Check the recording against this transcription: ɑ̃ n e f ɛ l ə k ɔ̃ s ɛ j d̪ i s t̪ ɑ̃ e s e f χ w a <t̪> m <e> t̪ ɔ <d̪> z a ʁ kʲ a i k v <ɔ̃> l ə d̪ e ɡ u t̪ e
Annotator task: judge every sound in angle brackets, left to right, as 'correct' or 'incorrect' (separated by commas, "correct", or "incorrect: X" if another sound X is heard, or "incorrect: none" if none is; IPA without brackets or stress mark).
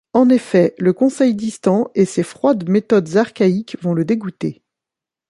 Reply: incorrect: d̪, correct, correct, correct